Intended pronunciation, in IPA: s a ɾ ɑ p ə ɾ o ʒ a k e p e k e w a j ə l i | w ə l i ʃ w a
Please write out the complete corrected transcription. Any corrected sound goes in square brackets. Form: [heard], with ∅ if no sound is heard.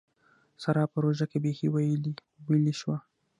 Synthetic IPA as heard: s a ɾ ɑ p ə ɾ o ʒ a k e [b] e [x] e w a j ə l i | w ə l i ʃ w a